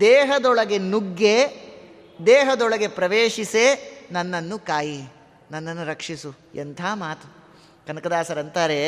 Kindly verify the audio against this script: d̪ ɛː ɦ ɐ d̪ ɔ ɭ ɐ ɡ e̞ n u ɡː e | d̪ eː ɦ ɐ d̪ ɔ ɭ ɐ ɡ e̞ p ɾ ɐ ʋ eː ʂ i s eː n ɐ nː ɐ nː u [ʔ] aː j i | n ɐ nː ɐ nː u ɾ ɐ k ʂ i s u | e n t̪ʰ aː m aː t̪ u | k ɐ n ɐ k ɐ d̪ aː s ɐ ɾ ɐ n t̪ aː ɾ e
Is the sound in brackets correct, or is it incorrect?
incorrect